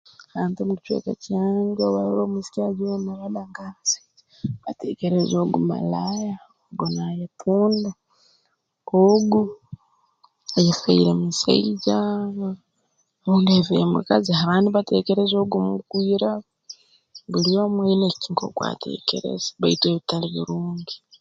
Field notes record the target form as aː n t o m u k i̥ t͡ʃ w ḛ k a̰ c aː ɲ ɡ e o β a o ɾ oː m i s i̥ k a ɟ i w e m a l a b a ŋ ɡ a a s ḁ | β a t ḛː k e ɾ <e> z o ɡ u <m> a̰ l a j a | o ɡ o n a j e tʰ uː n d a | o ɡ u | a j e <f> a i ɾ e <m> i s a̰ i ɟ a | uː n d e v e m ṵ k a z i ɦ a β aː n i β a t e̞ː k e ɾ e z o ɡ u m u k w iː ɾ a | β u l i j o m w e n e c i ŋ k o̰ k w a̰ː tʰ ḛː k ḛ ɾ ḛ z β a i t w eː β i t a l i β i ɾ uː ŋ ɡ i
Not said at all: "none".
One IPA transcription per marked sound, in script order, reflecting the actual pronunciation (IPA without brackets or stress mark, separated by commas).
e, m, f, m